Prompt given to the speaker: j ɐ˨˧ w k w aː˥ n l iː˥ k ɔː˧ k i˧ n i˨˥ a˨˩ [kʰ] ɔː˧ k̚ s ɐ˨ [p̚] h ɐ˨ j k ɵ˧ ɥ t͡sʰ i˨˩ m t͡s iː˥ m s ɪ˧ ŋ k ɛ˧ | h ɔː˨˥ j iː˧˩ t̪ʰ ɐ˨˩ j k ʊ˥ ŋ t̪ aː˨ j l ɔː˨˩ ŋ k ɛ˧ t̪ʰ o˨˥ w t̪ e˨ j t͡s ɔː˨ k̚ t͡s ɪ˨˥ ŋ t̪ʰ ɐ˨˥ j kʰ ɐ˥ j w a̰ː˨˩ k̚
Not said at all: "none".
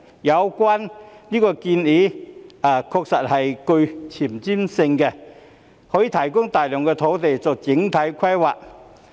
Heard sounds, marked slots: kʰ, t̚

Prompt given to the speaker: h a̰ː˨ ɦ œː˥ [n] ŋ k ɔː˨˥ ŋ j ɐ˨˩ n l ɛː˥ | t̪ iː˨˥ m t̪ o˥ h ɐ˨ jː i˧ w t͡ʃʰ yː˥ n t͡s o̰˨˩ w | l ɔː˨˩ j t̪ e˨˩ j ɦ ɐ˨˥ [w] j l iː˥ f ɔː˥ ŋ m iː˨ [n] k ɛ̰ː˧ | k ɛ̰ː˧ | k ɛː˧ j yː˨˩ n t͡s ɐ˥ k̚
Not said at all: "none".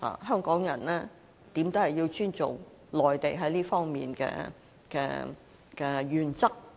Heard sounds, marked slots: none, none, n

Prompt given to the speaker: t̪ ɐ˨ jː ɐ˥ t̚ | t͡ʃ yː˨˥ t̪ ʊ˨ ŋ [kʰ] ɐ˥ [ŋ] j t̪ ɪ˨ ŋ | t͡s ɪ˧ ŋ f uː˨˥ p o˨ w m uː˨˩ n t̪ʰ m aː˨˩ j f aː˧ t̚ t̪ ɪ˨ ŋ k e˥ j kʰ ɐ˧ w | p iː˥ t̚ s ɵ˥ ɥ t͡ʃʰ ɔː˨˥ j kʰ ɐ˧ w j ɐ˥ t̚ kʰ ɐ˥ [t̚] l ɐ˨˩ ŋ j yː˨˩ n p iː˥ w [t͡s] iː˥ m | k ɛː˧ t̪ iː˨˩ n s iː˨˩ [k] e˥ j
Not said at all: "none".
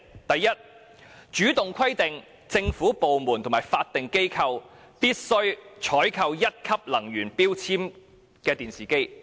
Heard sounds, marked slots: kʰ, none, p̚, t͡sʰ, k

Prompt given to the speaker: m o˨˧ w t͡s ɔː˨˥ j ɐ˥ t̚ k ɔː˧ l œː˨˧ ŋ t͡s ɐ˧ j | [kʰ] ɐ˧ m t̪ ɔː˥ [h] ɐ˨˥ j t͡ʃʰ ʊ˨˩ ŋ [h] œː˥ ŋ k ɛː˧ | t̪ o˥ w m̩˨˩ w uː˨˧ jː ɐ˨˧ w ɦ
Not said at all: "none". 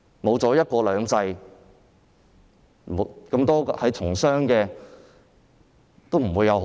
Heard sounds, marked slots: k, h, s

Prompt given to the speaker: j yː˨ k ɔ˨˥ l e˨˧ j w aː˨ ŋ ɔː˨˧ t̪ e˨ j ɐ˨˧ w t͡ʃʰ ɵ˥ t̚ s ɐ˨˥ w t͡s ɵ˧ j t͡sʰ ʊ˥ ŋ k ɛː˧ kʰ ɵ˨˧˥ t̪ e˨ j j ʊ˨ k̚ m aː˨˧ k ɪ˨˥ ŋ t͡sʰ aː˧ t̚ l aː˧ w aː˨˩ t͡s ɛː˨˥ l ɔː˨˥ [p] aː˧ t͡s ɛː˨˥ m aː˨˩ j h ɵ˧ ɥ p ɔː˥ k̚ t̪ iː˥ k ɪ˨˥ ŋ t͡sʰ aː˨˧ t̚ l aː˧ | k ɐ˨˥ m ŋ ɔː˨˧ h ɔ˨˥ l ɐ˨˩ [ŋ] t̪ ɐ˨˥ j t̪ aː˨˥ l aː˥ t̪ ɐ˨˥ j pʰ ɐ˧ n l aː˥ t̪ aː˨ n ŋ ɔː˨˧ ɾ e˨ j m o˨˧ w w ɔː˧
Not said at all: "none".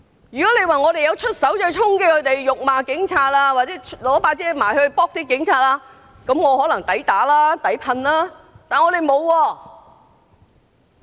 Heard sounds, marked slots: p, ŋ

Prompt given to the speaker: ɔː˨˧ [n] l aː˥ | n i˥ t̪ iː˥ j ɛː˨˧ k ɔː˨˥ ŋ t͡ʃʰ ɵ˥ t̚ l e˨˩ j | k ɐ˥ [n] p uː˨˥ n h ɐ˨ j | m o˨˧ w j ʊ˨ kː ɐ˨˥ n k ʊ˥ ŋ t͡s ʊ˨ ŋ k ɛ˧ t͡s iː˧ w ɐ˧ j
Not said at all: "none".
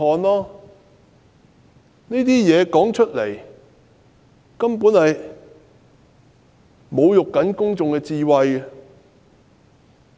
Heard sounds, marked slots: n, m

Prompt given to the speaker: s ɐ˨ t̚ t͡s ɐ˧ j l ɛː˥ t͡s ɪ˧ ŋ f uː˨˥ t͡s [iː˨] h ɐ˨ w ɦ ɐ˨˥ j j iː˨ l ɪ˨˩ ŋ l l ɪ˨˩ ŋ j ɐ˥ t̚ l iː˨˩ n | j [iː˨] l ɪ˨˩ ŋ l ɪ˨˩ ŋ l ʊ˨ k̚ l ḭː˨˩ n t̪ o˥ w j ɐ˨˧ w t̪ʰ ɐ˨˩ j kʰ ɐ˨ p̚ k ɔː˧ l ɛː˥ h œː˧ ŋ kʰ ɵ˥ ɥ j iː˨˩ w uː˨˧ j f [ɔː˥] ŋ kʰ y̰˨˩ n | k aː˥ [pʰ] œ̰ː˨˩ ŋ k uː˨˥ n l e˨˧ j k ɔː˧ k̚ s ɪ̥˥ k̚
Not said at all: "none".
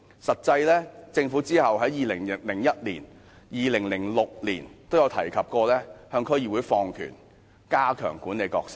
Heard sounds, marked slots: iː˥, iː˨, ɔː˧, kʰ

